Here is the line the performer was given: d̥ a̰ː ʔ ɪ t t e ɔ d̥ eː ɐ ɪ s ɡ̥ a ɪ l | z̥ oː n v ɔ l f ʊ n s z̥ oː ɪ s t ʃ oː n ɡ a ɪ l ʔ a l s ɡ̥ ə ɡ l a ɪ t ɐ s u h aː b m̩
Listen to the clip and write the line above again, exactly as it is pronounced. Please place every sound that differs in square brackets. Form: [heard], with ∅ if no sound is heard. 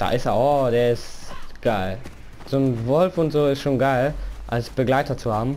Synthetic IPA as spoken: d̥ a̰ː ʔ ɪ [s] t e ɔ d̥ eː ɐ ɪ s ɡ̥ a ɪ l | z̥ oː n v ɔ l f ʊ n [t] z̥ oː ɪ s t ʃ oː n ɡ a ɪ l ʔ a l s [b̥] ə ɡ l a ɪ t ɐ [t͡s] u h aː b m̩